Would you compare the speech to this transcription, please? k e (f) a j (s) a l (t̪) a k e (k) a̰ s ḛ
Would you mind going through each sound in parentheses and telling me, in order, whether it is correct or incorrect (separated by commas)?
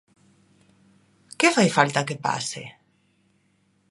correct, incorrect, correct, incorrect